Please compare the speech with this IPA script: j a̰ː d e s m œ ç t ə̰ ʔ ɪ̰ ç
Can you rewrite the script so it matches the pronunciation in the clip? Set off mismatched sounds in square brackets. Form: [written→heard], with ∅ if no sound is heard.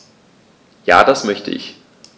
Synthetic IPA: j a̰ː d [e→a] s m œ ç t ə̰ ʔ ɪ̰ ç